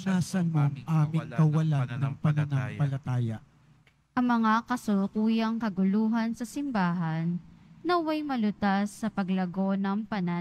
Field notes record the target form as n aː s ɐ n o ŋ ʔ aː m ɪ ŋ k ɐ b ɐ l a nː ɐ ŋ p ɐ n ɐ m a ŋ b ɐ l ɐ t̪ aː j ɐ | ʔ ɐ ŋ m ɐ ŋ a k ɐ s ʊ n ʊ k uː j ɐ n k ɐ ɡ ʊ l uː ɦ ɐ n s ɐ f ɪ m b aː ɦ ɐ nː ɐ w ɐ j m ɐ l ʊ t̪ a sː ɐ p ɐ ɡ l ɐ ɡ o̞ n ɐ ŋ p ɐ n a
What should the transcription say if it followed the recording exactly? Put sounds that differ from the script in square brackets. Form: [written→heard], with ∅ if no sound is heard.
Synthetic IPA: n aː s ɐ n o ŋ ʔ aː m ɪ ŋ k ɐ [b→w] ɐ l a nː ɐ ŋ p ɐ n ɐ [m→n] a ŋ [b→p] ɐ l ɐ t̪ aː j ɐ | ʔ ɐ ŋ m ɐ ŋ a k ɐ s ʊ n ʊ k uː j ɐ [n→ŋ] k ɐ ɡ ʊ l uː ɦ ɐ n s ɐ [f→s] ɪ m b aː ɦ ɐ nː ɐ w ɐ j m ɐ l ʊ t̪ a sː ɐ p ɐ ɡ l ɐ ɡ o̞ n ɐ ŋ p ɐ n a